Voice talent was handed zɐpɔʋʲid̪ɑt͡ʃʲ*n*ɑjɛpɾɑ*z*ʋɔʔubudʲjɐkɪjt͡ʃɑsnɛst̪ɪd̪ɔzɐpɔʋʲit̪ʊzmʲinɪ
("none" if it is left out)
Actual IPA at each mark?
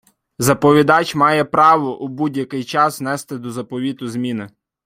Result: m, none

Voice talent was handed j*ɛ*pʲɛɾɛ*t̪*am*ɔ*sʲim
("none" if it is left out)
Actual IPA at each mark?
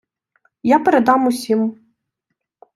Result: a, d̪, u

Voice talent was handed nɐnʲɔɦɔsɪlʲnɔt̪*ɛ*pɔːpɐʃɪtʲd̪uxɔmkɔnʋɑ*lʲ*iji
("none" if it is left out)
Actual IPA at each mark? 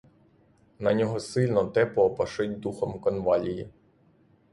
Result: ɛ, lʲ

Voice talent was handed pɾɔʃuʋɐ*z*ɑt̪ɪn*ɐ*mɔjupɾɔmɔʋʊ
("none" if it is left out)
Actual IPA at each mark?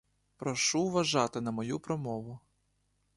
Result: ʒ, ɐ

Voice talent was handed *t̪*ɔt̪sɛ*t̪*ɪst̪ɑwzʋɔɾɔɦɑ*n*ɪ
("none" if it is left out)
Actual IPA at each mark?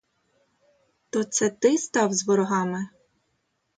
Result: t̪, t̪, m

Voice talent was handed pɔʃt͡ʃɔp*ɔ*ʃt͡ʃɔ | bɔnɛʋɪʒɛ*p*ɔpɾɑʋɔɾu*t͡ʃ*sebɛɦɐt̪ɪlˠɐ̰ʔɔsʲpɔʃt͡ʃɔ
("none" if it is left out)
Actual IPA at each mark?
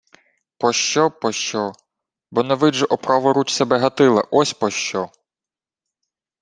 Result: ɔ, ʔ, t͡ʃ

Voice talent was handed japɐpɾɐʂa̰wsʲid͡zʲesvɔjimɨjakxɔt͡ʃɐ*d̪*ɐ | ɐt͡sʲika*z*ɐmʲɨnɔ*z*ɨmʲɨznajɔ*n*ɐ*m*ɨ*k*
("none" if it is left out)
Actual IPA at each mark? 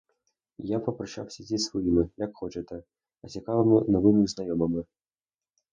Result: t̪, v, v, m, m, none

